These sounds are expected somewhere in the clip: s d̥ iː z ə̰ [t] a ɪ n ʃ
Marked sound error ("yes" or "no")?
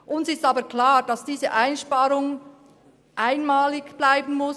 yes